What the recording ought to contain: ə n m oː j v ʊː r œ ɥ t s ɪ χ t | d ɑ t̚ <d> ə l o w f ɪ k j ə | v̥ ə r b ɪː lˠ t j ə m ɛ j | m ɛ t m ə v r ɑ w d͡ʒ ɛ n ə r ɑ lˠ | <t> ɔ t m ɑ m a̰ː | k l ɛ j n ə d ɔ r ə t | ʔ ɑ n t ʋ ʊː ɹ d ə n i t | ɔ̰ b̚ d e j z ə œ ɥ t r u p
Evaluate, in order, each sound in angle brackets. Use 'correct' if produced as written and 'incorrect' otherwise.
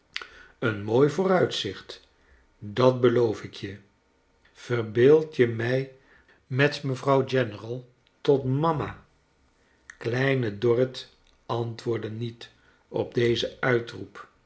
incorrect, correct

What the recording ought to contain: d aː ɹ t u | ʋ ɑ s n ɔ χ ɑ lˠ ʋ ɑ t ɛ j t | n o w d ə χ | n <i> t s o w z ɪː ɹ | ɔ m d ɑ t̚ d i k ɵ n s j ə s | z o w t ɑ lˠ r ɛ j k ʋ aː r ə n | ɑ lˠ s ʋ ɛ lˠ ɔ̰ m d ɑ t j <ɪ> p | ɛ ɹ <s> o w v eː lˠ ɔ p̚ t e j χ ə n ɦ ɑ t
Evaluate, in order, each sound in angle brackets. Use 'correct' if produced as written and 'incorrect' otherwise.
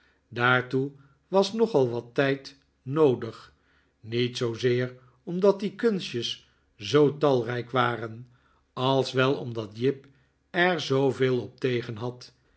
correct, correct, incorrect

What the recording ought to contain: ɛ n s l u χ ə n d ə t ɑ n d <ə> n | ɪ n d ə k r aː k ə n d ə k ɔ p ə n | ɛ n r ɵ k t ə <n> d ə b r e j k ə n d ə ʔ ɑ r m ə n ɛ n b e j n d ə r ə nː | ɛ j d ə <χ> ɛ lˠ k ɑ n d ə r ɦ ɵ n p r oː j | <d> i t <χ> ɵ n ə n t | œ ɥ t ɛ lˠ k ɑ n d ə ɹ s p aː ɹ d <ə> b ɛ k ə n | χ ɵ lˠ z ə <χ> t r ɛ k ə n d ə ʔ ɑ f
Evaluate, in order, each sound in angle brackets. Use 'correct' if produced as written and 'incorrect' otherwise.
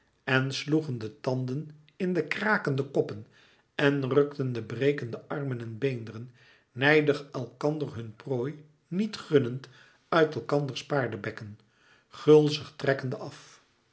correct, correct, correct, incorrect, correct, correct, correct

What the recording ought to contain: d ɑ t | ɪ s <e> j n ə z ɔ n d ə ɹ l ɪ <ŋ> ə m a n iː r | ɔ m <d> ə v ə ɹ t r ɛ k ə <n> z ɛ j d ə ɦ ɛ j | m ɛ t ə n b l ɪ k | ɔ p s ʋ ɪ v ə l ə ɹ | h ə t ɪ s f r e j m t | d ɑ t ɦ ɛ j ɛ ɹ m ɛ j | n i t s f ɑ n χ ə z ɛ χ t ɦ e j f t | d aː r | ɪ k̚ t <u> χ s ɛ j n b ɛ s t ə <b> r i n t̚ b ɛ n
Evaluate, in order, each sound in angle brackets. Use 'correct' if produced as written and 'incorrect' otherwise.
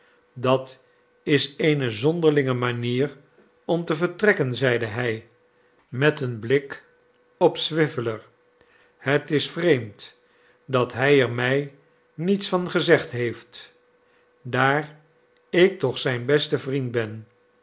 correct, correct, incorrect, correct, incorrect, incorrect

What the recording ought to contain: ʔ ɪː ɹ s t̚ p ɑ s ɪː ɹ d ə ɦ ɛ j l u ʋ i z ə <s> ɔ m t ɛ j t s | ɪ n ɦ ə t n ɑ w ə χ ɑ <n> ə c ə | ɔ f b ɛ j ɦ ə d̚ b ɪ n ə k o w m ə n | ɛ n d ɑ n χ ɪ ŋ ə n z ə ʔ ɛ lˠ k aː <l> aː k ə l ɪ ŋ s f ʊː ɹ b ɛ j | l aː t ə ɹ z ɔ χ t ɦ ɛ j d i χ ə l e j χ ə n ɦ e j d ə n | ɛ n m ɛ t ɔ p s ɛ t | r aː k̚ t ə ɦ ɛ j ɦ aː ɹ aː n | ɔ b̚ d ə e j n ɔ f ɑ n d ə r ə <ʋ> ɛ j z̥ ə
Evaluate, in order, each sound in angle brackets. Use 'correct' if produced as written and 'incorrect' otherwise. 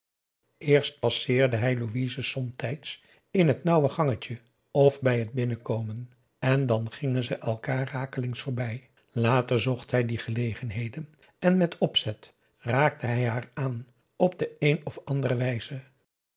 correct, incorrect, incorrect, correct

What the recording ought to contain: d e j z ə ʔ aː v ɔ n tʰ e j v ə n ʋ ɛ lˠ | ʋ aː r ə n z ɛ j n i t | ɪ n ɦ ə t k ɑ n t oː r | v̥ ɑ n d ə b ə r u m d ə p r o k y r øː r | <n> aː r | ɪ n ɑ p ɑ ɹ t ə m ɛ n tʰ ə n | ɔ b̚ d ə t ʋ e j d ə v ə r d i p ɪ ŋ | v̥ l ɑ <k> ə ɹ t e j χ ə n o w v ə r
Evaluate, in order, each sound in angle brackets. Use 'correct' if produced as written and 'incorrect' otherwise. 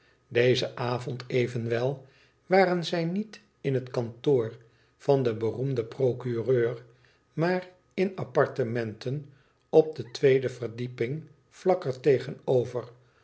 incorrect, correct

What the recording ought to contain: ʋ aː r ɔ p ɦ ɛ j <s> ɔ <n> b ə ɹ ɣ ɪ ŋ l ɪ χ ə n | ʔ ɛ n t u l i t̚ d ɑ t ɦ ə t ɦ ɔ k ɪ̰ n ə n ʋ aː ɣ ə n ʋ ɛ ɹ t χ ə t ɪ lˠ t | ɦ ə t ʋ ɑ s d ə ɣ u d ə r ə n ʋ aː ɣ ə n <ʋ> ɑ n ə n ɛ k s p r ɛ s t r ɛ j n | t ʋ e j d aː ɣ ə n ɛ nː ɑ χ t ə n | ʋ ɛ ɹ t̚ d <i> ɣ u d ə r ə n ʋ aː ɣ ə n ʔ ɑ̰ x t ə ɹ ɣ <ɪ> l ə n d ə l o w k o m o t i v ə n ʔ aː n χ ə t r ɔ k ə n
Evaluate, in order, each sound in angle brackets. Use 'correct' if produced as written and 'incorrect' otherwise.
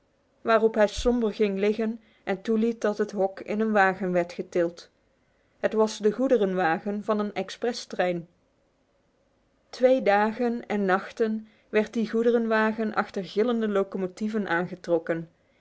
correct, incorrect, incorrect, correct, correct

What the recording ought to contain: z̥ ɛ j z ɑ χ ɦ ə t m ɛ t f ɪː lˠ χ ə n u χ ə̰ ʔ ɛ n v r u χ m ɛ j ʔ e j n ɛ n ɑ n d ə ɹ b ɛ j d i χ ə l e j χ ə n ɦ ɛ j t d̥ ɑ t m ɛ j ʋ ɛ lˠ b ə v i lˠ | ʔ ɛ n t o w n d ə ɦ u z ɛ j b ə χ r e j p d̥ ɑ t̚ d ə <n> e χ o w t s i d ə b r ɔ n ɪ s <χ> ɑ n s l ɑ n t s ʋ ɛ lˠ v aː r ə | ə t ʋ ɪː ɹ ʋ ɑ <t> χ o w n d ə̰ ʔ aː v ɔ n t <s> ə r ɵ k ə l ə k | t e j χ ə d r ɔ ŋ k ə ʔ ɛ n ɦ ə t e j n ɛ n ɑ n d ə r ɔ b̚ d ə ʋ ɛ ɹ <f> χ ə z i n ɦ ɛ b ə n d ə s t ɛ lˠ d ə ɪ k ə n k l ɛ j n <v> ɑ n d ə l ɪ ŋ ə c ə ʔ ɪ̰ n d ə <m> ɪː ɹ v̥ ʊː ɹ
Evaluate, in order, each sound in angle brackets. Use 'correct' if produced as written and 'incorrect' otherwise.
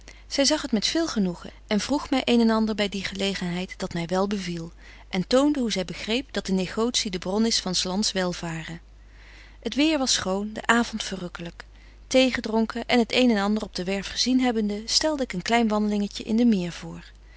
correct, incorrect, incorrect, incorrect, correct, incorrect, correct

